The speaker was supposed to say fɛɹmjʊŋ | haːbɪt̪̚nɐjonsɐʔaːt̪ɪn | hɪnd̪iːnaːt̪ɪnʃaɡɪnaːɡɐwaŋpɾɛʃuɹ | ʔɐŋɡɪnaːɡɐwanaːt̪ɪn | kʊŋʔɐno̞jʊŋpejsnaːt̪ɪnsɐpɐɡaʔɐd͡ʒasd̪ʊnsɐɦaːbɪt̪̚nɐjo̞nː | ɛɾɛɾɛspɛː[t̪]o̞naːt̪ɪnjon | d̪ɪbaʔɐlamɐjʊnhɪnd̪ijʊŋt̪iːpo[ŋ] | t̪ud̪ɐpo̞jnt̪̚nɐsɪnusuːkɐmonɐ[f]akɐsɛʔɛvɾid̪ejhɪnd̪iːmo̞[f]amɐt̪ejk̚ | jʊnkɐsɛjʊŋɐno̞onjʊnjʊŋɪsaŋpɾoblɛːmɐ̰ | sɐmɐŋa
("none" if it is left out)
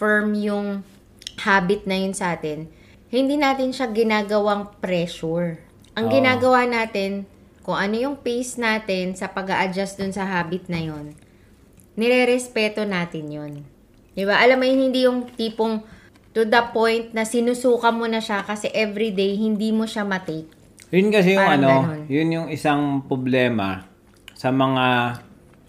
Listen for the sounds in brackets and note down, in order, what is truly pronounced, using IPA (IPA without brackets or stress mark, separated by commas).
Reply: t̪, ŋ, ʃ, ʃ